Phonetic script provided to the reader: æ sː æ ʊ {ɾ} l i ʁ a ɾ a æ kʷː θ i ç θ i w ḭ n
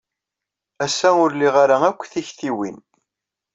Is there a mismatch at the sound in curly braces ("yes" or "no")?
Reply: no